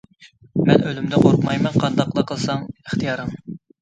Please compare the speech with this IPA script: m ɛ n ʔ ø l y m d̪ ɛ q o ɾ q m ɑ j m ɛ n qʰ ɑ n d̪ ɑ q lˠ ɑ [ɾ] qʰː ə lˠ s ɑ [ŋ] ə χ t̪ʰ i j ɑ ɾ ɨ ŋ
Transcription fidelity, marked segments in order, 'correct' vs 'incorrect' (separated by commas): incorrect, correct